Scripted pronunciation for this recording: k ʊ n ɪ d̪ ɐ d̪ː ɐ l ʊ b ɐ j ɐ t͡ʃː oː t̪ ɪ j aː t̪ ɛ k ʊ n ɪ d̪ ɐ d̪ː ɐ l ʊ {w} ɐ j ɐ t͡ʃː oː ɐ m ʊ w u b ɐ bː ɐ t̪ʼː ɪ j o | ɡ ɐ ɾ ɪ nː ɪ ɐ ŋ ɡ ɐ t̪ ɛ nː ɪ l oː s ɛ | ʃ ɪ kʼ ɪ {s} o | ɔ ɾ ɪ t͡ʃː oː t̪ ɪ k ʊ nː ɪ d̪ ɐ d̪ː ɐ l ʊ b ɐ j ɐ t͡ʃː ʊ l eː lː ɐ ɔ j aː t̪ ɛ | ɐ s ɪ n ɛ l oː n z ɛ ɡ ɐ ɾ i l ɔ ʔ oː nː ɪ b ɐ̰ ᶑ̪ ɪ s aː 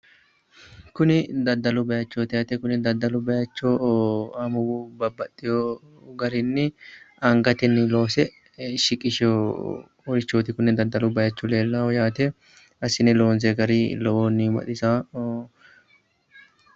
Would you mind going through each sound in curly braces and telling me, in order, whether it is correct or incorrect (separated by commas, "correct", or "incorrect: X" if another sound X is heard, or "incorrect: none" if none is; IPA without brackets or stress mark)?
incorrect: b, incorrect: ʃ